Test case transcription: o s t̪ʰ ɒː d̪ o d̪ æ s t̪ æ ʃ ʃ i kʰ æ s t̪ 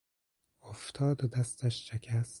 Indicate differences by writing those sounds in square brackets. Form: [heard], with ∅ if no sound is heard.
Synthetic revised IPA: o [f] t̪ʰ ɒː d̪ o d̪ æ s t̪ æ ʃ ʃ [e] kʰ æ s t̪